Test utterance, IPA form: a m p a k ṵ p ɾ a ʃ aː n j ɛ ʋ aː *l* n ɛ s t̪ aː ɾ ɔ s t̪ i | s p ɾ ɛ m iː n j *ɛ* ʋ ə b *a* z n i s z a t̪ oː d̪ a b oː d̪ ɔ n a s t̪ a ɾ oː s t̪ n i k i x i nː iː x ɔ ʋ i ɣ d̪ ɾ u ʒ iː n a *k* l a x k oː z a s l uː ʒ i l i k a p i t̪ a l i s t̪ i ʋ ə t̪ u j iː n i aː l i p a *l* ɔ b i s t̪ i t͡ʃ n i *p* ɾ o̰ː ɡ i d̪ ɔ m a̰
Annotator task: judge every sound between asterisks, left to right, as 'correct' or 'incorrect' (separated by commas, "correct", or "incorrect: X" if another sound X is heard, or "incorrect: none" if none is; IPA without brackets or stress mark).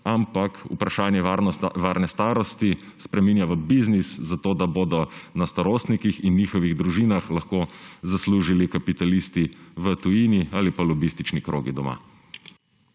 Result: incorrect: ɾ, incorrect: a, incorrect: i, incorrect: x, correct, incorrect: k